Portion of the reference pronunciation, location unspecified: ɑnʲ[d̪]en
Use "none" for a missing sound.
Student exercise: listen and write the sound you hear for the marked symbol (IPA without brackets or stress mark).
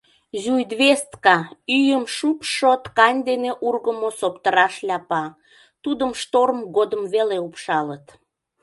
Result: d̪